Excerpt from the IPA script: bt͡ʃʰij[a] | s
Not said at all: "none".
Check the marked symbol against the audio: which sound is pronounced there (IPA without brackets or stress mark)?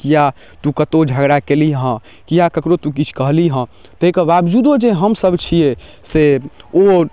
e